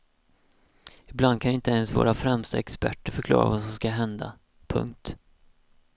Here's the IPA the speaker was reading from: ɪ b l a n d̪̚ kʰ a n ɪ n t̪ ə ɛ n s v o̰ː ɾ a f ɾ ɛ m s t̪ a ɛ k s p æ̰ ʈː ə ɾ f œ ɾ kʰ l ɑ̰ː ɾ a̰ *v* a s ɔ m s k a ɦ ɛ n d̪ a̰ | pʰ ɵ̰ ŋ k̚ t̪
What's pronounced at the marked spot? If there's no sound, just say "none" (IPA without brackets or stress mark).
v